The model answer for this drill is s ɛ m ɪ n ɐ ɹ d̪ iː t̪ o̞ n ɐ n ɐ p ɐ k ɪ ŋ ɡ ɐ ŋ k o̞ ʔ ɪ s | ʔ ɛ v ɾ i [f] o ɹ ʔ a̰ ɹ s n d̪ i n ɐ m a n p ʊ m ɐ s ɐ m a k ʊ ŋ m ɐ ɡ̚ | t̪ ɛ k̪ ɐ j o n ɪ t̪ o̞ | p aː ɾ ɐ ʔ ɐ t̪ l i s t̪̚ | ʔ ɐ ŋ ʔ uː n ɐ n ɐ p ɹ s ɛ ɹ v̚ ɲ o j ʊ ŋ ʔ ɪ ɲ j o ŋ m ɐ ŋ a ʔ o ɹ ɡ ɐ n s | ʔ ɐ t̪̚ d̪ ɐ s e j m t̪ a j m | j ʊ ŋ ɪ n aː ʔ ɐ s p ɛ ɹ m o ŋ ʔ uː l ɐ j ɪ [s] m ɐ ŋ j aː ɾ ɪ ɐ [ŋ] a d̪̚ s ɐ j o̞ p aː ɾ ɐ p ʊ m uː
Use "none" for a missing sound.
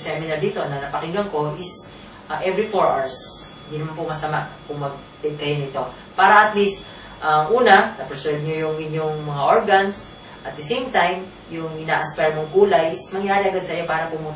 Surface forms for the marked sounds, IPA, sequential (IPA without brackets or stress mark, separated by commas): f, s, ɡ